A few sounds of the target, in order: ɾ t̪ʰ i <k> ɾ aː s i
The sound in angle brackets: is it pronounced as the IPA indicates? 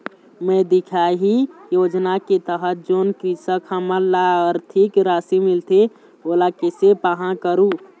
yes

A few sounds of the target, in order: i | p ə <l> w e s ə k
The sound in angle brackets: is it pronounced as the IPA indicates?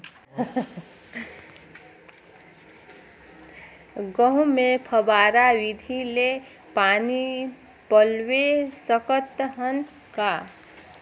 yes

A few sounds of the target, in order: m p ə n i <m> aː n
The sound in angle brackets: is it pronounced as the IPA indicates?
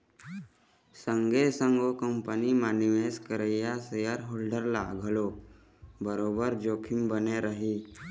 yes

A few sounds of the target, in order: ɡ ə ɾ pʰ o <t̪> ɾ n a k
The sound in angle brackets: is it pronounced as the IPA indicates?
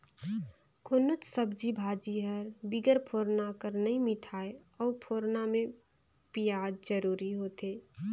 no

